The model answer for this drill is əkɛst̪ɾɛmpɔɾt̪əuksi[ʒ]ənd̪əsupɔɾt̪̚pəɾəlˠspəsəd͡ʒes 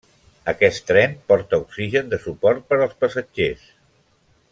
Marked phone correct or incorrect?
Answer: correct